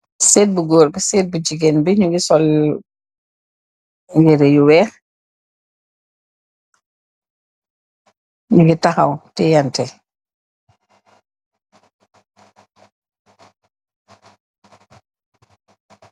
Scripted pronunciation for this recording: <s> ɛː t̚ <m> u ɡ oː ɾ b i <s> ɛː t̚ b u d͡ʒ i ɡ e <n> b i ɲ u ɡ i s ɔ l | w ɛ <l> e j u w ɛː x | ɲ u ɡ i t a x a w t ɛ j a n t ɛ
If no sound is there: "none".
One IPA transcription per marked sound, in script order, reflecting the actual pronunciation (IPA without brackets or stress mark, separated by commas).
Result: s, b, s, n, ɾ